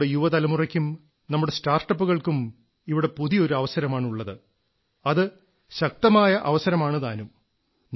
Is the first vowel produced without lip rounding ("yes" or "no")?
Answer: yes